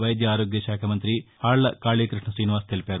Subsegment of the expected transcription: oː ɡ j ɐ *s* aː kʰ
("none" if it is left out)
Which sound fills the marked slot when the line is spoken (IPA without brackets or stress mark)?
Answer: ʃ